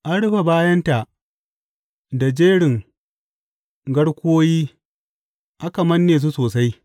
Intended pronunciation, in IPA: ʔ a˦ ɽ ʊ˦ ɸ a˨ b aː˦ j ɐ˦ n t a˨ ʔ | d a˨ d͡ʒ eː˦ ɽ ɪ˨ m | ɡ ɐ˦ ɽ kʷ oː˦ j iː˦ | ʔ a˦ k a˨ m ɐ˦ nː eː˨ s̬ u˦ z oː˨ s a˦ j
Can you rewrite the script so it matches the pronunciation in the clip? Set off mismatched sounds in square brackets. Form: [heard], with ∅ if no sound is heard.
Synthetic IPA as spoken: ʔ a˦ ɽ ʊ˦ ɸ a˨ b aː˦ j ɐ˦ n t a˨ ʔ | d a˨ d͡ʒ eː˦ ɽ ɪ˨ [ŋ] | ɡ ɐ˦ ɽ kʷ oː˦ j iː˦ | ʔ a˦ k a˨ m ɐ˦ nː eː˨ s̬ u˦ [s] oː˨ s a˦ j